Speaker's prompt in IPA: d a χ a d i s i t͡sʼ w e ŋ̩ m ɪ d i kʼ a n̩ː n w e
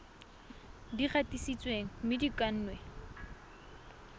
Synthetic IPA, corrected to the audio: d i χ a t i s i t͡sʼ w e ŋ̩ m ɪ d i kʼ a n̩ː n w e

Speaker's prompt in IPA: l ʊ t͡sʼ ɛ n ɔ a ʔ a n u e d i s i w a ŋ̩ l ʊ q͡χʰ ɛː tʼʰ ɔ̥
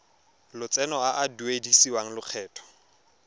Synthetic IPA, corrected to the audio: l ʊ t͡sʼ ɛ n ɔ a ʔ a d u e d i s i w a ŋ̩ l ʊ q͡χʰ ɛː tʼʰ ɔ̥

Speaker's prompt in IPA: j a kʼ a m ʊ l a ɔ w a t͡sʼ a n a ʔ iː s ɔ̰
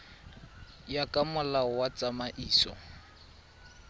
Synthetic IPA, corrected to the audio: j a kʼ a m ʊ l a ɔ w a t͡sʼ a m a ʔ iː s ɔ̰

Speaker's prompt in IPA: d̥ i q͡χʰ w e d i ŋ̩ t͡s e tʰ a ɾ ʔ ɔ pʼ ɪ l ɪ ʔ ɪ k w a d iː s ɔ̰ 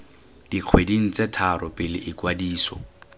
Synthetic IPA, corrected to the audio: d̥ i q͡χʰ w e d i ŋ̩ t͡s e tʰ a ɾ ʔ ɔ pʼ ɪ l ɪ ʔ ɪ k w a d iː s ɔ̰

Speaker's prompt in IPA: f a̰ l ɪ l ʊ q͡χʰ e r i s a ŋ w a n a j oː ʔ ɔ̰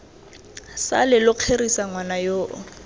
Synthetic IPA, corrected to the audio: s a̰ l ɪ l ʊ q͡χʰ e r i s a ŋ w a n a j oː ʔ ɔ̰

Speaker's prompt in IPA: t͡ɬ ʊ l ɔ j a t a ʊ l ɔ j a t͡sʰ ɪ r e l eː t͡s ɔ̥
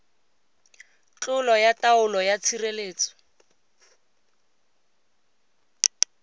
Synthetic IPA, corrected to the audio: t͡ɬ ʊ l ɔ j a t a ʊ l ɔ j a t͡sʰ i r e l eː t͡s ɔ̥

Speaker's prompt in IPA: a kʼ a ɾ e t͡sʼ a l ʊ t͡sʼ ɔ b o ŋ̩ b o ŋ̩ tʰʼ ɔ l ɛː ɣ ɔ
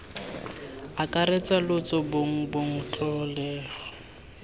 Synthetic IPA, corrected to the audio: a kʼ a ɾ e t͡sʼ a l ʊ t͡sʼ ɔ b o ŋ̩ b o ŋ̩ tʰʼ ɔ l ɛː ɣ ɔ

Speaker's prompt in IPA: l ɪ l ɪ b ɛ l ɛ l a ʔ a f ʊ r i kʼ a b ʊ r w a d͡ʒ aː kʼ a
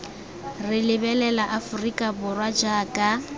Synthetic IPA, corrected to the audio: r ɪ l ɪ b ɛ l ɛ l a ʔ a f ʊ r i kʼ a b ʊ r w a d͡ʒ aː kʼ a

